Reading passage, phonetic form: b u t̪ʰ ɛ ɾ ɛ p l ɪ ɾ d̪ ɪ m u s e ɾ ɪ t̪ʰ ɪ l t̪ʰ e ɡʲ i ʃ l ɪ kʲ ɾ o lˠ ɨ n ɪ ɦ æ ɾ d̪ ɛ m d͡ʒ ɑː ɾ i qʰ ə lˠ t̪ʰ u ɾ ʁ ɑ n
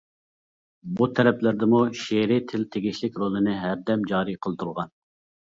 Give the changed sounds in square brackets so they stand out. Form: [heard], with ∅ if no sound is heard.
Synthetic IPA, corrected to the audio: b u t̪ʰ ɛ ɾ ɛ p l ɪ ɾ d̪ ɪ m u [ʃ] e ɾ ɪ t̪ʰ ɪ l t̪ʰ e ɡʲ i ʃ l ɪ kʲ ɾ o lˠ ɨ n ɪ ɦ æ ɾ d̪ ɛ m d͡ʒ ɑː ɾ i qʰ ə lˠ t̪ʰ u ɾ ʁ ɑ n